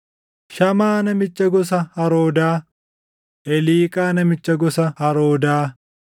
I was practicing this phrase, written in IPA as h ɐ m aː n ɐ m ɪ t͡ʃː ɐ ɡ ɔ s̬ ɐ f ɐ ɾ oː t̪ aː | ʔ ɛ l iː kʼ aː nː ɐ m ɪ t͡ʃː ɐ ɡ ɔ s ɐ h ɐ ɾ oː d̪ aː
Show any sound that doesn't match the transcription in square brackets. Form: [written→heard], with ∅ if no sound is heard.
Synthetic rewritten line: [h→ʃ] ɐ m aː n ɐ m ɪ t͡ʃː ɐ ɡ ɔ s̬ ɐ [f→h] ɐ ɾ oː [t̪→d̪] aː | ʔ ɛ l iː kʼ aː [nː→n] ɐ m ɪ t͡ʃː ɐ ɡ ɔ s ɐ h ɐ ɾ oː d̪ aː